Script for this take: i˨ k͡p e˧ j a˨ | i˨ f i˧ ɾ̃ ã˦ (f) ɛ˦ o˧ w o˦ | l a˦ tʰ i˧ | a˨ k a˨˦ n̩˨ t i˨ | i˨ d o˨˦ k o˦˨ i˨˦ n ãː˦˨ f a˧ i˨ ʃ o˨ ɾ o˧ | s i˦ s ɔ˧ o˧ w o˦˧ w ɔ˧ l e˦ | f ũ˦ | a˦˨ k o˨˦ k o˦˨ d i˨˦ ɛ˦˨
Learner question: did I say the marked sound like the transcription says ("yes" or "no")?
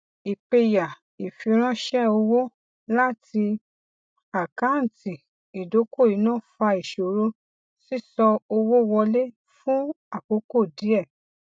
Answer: no